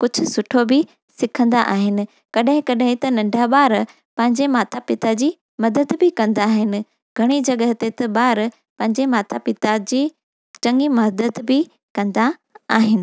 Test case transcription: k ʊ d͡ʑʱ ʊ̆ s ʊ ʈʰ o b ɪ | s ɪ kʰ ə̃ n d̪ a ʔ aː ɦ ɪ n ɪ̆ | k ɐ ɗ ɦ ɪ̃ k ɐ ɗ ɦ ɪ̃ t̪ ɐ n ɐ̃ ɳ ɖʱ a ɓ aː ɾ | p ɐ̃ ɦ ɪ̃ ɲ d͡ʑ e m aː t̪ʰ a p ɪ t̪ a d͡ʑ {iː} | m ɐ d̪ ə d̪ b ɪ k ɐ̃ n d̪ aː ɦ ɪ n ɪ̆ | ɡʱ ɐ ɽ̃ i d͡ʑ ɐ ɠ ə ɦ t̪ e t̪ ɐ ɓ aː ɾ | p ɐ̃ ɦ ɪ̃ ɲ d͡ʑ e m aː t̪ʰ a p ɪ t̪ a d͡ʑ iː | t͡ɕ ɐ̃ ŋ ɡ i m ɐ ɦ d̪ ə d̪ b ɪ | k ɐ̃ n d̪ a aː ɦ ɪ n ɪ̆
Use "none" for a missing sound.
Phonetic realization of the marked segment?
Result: iː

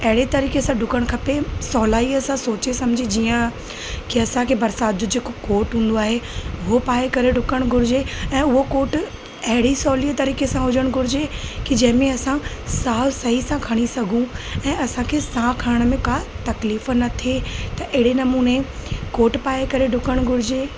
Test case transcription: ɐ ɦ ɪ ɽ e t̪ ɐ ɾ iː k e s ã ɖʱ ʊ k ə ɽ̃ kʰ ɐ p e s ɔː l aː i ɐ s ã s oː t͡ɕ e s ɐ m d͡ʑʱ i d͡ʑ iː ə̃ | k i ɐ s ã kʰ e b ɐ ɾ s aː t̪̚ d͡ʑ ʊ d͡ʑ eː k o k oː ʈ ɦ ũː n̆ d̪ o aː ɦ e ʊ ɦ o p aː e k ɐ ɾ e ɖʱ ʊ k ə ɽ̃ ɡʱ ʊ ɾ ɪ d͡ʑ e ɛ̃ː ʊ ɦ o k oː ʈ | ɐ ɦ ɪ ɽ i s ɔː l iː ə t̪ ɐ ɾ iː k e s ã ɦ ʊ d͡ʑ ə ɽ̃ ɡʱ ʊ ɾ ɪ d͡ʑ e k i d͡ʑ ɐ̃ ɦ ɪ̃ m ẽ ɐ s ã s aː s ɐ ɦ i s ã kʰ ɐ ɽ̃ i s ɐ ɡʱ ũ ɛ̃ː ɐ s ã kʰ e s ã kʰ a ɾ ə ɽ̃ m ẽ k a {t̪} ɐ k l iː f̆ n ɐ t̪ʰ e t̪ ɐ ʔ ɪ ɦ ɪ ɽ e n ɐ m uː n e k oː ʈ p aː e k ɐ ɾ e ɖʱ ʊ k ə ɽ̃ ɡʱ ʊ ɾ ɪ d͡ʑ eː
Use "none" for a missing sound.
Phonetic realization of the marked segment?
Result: t̪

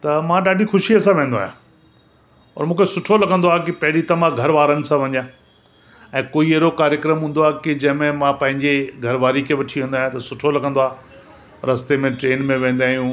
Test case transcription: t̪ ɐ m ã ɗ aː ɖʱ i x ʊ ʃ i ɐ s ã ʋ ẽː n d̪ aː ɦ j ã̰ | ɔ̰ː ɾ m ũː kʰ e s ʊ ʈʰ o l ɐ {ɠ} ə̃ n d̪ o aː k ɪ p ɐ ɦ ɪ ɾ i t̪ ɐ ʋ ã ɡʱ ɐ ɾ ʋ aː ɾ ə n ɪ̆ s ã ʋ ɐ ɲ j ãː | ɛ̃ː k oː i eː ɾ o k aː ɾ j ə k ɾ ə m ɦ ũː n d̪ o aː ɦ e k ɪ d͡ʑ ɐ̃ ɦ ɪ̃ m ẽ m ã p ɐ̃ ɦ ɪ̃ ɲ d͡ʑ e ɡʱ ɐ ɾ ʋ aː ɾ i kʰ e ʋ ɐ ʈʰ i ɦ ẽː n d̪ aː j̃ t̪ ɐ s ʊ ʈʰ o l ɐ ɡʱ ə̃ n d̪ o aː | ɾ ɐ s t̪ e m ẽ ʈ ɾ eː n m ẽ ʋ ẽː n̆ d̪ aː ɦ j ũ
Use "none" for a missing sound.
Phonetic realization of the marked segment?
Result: ɡ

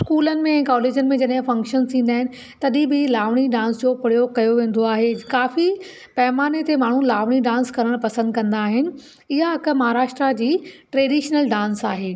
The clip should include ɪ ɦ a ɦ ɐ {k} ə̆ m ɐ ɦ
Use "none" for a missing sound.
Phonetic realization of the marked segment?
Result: k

